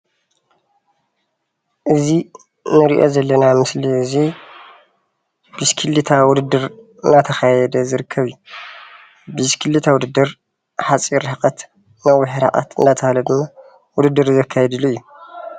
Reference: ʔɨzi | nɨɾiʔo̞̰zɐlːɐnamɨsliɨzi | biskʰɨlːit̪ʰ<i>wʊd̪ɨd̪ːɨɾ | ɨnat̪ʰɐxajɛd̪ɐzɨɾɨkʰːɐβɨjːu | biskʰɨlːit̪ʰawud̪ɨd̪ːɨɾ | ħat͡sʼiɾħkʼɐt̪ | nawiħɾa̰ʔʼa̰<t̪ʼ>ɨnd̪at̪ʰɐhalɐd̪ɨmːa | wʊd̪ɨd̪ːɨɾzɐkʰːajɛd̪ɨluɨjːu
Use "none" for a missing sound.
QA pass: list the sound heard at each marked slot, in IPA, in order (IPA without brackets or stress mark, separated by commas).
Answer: a, t̪